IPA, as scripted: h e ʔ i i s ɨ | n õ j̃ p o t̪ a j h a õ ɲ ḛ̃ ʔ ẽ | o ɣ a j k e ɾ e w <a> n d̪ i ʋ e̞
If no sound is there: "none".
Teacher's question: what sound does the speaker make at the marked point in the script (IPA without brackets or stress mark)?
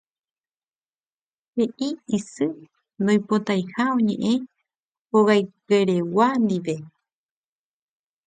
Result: a